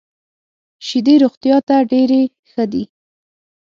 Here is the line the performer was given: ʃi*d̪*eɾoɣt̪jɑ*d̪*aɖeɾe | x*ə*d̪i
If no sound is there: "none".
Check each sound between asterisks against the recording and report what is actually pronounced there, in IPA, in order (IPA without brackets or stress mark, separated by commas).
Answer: d̪, t̪, ə